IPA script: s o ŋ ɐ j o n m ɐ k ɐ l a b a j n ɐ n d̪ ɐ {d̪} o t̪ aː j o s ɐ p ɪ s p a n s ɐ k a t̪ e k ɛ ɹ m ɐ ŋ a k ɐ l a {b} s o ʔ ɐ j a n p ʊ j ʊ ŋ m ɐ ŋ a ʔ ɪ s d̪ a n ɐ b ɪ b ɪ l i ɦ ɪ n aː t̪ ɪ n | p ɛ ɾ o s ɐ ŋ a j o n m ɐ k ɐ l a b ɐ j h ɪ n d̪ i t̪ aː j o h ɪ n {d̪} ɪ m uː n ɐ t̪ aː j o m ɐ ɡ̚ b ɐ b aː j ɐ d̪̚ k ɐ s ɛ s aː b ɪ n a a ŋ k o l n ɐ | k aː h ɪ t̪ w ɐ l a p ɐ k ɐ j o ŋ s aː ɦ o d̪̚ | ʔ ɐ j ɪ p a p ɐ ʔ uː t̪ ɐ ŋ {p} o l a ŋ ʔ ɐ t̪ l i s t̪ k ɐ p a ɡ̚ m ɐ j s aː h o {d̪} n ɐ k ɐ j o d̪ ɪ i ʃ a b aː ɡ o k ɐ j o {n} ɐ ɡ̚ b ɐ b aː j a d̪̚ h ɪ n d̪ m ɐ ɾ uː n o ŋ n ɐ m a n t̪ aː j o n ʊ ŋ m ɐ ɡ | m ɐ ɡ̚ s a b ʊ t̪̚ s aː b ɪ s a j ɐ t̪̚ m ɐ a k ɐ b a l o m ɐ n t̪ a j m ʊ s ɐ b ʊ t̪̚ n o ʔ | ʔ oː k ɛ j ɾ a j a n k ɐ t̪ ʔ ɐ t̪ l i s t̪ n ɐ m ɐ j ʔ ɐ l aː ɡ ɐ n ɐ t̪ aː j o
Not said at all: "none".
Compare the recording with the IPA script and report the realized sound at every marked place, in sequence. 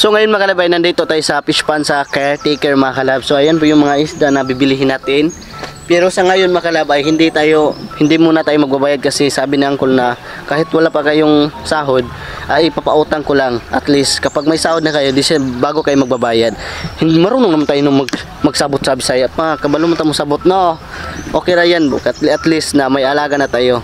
t̪, b, d̪, k, d̪, m

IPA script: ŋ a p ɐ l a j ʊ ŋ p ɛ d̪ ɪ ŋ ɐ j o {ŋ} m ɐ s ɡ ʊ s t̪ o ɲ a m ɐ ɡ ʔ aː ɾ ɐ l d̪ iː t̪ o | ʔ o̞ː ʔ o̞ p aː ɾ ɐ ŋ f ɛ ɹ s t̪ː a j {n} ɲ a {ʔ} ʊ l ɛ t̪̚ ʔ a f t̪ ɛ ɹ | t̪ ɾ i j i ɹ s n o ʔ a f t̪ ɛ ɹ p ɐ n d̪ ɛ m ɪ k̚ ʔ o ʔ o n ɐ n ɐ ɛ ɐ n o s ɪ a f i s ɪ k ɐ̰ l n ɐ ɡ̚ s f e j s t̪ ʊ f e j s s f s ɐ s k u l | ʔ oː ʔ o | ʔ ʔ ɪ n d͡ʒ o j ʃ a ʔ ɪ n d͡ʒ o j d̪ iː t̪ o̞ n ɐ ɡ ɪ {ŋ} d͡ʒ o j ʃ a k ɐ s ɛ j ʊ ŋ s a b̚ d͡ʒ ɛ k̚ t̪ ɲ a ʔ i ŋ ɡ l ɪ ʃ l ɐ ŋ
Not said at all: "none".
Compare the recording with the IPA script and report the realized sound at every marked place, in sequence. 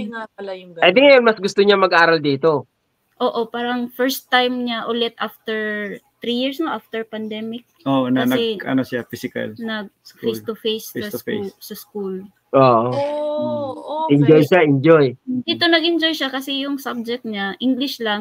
n, m, ʔ, n

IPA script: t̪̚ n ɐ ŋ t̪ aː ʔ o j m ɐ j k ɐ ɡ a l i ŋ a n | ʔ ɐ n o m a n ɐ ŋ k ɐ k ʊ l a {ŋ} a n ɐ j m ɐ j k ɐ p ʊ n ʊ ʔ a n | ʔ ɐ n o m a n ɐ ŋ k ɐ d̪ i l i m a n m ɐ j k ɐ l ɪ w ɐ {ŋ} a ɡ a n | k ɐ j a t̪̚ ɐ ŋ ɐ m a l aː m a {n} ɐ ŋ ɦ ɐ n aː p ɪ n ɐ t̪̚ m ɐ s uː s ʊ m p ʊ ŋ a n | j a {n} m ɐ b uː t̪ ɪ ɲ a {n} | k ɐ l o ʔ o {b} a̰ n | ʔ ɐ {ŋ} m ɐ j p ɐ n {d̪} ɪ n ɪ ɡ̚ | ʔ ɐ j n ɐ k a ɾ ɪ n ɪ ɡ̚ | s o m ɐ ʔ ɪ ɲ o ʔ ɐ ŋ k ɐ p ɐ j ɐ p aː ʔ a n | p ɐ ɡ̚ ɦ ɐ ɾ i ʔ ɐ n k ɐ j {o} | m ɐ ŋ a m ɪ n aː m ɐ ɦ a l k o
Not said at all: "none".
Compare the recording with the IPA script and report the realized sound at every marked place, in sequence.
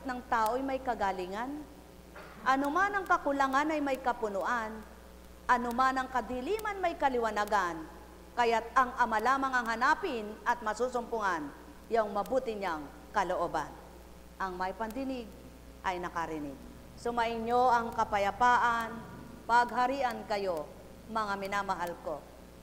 ŋ, n, ŋ, ŋ, ŋ, b, ŋ, d̪, o

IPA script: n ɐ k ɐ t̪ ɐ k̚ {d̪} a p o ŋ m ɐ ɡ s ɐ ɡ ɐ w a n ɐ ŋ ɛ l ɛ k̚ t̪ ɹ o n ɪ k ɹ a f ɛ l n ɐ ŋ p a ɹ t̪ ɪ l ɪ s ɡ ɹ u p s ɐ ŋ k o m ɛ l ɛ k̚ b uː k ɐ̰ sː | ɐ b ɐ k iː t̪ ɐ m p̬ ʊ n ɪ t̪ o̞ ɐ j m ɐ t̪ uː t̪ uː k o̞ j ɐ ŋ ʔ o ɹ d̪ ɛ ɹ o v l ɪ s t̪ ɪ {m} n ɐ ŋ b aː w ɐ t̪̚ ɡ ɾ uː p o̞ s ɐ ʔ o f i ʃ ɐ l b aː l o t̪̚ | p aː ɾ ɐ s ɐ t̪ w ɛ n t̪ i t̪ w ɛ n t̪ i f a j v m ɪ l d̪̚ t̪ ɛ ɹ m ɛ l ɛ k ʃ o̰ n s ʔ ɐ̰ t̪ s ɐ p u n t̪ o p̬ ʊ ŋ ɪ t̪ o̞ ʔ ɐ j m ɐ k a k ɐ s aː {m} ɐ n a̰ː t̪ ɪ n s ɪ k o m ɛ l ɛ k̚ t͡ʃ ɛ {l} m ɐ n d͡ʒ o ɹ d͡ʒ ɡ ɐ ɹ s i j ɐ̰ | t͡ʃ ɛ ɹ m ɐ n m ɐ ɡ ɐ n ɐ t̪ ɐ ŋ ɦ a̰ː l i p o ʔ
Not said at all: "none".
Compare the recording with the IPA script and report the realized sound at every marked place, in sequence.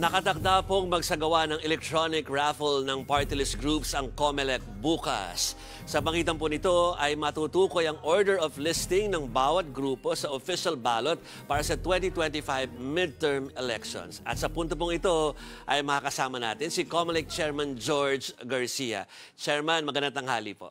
d̪, ŋ, m, ɹ

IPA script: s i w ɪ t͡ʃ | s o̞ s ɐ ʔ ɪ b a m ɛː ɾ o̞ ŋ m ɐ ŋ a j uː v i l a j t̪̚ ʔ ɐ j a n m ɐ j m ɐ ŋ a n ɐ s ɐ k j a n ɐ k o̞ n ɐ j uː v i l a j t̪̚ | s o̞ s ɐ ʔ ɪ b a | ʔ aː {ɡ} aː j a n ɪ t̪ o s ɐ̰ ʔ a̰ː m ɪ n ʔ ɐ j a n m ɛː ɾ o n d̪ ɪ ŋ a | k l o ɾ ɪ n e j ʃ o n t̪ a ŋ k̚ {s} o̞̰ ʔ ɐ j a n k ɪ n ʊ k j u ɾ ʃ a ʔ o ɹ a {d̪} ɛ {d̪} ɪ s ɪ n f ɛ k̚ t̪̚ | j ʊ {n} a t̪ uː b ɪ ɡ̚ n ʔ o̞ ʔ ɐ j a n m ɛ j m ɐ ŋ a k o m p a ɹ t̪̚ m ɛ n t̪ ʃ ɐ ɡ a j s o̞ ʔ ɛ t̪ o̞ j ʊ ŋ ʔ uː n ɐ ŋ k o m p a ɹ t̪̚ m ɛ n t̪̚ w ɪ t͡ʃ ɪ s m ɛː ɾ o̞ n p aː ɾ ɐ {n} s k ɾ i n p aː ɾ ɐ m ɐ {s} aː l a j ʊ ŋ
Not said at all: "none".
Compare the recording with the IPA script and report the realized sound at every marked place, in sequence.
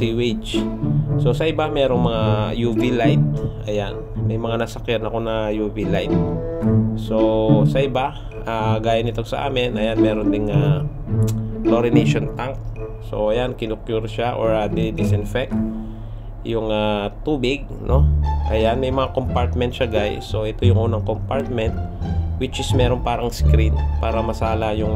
ɡ, s, d̪, d̪, ŋ, ŋ, s

